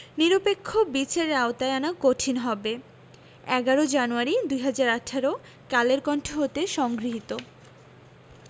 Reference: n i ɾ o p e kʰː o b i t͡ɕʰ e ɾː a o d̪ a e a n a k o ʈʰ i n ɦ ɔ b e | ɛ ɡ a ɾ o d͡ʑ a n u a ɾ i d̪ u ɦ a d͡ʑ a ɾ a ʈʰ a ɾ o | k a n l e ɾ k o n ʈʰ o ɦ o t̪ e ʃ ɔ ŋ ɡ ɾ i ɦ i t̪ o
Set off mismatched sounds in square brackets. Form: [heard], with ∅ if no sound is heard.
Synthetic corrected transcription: n i ɾ o p e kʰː o b i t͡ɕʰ e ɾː a o [t̪] a e a n a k o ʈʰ i n ɦ ɔ b e | ɛ ɡ a ɾ o d͡ʑ a n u a ɾ i d̪ u ɦ a d͡ʑ a ɾ a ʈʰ a ɾ o | k a [∅] l e ɾ k [ɔ] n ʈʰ o ɦ o t̪ e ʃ ɔ ŋ ɡ ɾ i ɦ i t̪ o